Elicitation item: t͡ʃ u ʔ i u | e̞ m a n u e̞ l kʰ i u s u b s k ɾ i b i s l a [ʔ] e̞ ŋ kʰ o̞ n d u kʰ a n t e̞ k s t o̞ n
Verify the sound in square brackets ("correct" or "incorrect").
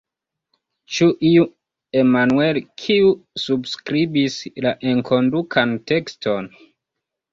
correct